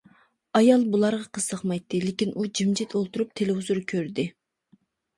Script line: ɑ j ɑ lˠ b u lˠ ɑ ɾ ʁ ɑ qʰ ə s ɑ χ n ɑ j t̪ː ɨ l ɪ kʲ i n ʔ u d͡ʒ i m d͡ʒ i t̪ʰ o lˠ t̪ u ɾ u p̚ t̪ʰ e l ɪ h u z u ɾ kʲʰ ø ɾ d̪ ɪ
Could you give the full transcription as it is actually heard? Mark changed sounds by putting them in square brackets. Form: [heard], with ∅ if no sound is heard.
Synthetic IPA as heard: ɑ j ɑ lˠ b u lˠ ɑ ɾ ʁ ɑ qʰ ə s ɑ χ [m] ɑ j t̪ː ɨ l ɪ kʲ i n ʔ u d͡ʒ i m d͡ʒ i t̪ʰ o lˠ t̪ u ɾ u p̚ t̪ʰ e l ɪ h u z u ɾ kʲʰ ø ɾ d̪ ɪ